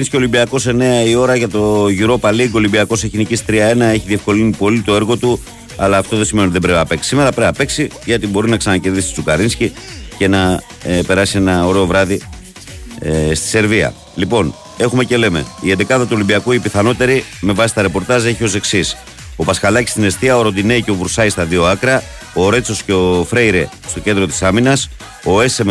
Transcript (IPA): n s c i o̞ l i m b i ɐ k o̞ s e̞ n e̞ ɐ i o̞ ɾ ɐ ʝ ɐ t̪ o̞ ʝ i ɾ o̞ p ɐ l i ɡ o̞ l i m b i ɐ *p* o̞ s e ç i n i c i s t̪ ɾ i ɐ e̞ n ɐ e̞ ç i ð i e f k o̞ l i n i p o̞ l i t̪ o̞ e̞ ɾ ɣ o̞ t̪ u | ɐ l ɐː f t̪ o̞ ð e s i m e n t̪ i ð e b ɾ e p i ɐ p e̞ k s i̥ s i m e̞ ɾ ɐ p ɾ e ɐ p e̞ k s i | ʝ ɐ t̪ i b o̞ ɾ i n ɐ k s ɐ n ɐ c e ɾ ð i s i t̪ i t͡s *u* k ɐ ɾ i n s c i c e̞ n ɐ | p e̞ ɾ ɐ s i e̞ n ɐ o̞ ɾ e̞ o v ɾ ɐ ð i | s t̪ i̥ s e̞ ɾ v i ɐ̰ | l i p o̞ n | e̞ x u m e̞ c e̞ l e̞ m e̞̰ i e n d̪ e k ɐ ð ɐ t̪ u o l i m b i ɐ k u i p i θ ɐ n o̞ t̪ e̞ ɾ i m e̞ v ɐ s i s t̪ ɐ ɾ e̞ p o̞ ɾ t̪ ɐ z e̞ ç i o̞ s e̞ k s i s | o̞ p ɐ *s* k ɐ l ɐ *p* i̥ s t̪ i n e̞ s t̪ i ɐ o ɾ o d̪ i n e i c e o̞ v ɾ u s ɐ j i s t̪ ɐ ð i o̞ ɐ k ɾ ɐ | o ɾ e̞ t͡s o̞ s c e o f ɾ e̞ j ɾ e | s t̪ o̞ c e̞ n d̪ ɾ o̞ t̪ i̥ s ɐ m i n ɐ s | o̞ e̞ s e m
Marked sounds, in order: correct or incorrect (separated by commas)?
incorrect, correct, correct, incorrect